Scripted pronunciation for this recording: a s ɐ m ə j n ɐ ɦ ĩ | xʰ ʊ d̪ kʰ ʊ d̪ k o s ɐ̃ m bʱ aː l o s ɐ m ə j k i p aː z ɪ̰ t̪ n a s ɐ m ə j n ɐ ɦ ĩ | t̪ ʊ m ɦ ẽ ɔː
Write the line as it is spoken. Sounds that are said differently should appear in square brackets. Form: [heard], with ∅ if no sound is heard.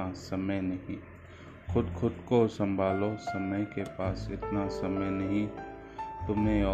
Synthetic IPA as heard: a s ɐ m ə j n ɐ ɦ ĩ | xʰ ʊ d̪ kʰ ʊ d̪ k o s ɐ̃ m bʱ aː l o s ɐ m ə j k [e] p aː [s] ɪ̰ t̪ n a s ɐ m ə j n ɐ ɦ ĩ | t̪ ʊ m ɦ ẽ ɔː